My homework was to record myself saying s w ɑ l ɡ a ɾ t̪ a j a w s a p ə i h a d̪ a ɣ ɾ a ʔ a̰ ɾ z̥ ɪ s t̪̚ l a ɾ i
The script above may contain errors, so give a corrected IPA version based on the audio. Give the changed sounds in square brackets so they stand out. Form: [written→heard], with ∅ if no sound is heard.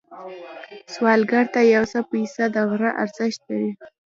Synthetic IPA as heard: s w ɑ l ɡ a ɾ t̪ a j a w s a p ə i [h→s] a d̪ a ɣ ɾ a ʔ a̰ ɾ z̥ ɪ [s→ʃ] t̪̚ l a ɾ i